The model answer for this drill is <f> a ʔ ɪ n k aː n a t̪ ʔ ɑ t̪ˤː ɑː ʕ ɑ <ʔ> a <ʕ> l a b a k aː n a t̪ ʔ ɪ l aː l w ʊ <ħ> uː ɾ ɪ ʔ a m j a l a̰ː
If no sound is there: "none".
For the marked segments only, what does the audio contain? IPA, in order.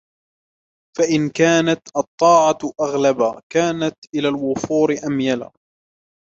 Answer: f, ʔ, ɣ, f

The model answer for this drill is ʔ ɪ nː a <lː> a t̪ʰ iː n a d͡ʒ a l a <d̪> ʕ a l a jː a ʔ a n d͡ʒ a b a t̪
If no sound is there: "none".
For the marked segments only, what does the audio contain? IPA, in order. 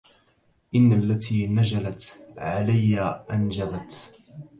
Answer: lː, t̪

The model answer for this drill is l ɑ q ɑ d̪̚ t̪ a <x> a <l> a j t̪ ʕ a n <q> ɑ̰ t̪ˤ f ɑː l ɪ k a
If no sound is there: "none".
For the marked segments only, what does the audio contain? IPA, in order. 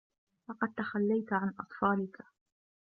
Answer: x, lː, ʔ

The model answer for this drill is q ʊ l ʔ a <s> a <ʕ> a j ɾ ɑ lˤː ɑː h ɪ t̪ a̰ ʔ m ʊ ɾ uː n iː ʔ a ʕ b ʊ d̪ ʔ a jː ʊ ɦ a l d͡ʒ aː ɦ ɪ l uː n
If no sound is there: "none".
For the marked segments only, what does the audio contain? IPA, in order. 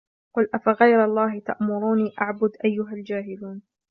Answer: f, ɣ

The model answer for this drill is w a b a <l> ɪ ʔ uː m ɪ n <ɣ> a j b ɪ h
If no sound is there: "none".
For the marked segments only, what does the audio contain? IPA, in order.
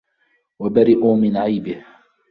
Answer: ɾ, ʕ

